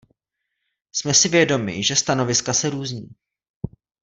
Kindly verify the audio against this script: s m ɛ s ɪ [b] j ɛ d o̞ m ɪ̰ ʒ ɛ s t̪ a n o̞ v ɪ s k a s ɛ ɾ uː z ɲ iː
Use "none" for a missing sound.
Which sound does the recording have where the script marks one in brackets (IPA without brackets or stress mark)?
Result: v